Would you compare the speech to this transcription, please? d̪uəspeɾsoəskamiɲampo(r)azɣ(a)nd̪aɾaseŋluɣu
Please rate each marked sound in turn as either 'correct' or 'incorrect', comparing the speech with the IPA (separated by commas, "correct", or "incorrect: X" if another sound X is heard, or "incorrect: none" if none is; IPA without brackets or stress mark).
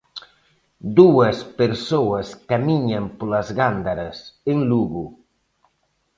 incorrect: l, correct